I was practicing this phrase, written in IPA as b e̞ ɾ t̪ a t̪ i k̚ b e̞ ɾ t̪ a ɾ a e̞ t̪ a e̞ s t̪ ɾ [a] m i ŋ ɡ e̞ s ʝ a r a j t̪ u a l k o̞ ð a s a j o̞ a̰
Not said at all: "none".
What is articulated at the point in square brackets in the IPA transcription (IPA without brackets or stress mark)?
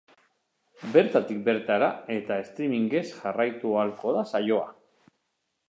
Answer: i